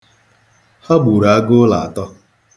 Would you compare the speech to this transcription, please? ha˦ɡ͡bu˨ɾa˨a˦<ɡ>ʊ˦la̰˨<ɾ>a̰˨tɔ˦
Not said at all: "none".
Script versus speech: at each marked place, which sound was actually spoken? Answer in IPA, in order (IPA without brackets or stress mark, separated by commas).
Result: ɡ, none